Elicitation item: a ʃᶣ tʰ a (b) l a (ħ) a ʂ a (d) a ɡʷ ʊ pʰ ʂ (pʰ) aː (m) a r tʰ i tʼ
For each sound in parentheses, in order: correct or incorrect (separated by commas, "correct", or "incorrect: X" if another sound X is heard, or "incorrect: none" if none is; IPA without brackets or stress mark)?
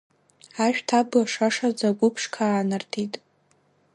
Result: correct, incorrect: ʂ, incorrect: d͡z, incorrect: kʰ, incorrect: n